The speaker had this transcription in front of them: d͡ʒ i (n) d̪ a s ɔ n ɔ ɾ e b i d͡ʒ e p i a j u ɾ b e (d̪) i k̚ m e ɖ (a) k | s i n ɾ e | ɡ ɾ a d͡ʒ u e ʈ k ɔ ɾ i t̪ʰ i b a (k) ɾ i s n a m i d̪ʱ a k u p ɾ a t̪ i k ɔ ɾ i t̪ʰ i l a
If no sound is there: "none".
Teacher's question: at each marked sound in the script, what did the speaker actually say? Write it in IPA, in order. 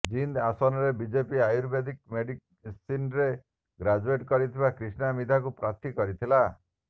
n, d̪, i, k

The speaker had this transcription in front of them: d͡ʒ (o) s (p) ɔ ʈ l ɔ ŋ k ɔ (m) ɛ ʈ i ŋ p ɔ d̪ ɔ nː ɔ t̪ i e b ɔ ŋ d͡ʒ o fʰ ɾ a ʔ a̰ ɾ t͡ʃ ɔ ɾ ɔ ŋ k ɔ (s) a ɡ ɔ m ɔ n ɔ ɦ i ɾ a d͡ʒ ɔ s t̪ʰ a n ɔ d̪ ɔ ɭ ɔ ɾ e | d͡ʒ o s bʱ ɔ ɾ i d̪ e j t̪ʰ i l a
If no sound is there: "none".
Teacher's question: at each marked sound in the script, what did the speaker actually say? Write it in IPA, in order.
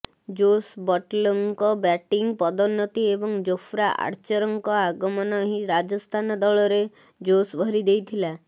o, b, b, none

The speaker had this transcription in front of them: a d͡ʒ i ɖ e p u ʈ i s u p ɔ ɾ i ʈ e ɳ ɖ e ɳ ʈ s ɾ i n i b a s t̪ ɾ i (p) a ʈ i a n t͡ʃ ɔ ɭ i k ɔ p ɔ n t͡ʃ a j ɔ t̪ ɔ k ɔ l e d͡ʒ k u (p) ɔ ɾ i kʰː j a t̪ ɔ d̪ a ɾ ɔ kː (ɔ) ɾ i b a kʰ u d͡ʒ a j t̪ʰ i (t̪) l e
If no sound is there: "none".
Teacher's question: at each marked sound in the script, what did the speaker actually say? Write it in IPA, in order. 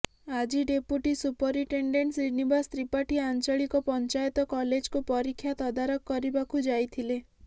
p, p, ɔ, none

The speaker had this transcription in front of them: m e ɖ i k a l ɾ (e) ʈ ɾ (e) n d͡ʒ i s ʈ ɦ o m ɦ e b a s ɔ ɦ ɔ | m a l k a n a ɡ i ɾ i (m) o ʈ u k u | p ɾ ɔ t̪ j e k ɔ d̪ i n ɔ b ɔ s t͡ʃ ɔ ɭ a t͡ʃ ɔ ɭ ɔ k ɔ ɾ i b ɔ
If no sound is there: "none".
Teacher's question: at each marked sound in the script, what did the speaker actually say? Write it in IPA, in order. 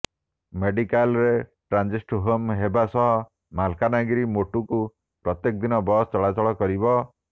e, a, m

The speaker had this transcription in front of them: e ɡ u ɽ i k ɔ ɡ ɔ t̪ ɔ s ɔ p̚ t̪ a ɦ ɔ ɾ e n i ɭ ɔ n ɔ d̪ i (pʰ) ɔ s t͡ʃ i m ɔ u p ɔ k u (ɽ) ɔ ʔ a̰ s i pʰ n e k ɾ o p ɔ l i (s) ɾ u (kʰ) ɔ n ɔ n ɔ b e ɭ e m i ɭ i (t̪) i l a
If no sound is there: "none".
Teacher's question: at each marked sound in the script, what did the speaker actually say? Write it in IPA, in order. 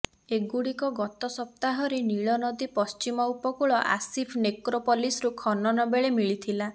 p, ɭ, s, kʰ, t̪ʰ

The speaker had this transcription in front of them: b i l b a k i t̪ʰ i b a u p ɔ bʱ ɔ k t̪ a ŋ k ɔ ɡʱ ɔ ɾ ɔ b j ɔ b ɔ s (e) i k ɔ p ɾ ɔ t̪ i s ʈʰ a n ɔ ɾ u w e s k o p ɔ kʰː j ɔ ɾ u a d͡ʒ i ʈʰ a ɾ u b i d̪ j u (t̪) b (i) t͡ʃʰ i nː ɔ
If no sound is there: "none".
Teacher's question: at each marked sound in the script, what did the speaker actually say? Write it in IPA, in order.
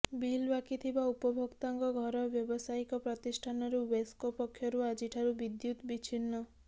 a, t̪, i

